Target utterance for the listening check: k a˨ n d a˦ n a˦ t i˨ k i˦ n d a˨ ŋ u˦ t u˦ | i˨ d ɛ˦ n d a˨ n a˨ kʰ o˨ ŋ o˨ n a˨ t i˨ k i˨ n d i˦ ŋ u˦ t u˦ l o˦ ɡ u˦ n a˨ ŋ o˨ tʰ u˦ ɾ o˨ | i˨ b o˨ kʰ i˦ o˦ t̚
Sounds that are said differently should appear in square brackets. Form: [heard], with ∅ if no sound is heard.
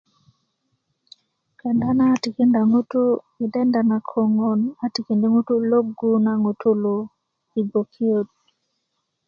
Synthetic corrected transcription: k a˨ n d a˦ n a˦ t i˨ k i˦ n d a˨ ŋ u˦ t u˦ | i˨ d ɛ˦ n d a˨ n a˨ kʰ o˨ ŋ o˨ n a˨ t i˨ k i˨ n d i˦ ŋ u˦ t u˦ l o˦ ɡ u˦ n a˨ ŋ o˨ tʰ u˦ [l] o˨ | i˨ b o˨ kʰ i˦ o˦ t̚